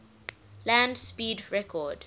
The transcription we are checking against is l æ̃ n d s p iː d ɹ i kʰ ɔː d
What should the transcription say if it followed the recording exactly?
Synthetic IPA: l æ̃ n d s p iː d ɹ ɛ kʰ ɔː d